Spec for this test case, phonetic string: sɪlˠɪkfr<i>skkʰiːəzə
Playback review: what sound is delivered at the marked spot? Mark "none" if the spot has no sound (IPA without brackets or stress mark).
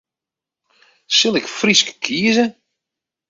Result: i